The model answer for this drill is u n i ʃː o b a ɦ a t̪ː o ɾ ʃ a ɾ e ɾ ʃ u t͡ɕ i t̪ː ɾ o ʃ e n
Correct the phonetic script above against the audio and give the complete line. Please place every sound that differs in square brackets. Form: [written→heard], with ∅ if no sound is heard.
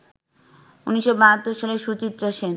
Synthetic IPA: u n i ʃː o b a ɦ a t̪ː o ɾ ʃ a [ɾ→l] e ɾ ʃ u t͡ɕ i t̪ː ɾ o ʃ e n

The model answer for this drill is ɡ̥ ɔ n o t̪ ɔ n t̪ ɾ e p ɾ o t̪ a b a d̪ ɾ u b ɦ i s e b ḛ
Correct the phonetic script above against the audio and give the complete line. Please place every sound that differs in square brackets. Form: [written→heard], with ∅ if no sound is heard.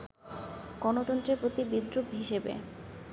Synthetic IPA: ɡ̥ ɔ n o t̪ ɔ n t̪ ɾ e p ɾ o t̪ [a→i] b [a→i] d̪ ɾ u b ɦ i [s→ʃ] e b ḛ

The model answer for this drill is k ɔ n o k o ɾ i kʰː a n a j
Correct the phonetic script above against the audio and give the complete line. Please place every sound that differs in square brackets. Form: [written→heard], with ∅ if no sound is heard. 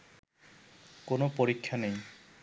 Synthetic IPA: k [ɔ→o] n o [k→p] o ɾ i kʰː a n [a→e] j

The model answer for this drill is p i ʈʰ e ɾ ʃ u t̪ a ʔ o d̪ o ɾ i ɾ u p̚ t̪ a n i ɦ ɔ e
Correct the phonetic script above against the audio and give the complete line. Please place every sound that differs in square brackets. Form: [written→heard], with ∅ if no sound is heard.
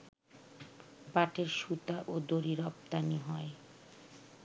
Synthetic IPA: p [i→a] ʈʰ e ɾ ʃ u t̪ a ʔ o d̪ o ɾ i ɾ [u→ɔ] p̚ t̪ a n i ɦ ɔ e

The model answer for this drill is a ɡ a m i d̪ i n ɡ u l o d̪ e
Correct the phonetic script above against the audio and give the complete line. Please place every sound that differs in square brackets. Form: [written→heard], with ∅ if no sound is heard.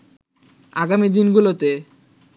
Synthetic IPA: a ɡ a m i d̪ i n ɡ u l o [d̪→t̪] e

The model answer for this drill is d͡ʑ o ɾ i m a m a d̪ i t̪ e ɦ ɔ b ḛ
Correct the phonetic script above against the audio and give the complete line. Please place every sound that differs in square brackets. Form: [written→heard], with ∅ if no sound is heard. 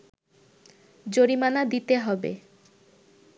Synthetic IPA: d͡ʑ o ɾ i m a [m→n] a d̪ i t̪ e ɦ ɔ b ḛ

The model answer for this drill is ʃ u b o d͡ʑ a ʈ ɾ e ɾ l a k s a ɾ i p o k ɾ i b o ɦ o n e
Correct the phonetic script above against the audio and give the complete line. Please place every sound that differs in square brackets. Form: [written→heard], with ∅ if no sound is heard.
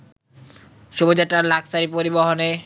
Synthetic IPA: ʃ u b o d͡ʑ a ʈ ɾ [e→a] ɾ l a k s a ɾ i p o [k→∅] ɾ i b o ɦ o n e

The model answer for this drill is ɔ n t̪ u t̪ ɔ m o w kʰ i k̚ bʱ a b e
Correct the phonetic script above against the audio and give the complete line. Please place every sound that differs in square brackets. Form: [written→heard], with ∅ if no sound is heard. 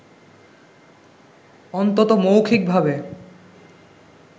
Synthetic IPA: ɔ n t̪ [u→o] t̪ [ɔ→o] m o w kʰ i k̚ bʱ a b e

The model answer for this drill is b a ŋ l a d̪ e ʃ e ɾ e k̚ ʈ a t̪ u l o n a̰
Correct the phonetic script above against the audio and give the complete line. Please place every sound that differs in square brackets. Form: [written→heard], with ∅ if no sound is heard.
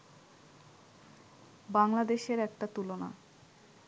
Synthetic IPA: b a ŋ l a d̪ e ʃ e ɾ [e→ɛ] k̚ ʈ a t̪ u l o n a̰

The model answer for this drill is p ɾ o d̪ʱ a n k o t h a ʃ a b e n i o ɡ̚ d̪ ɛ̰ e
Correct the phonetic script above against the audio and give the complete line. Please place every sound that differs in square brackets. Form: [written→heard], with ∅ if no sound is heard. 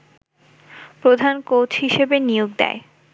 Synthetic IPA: p ɾ o d̪ʱ a n k o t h [a→i] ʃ [a→e] b e n i o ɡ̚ d̪ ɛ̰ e

